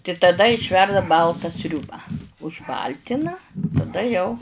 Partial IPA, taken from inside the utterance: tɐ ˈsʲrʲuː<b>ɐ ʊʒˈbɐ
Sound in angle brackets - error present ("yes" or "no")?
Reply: no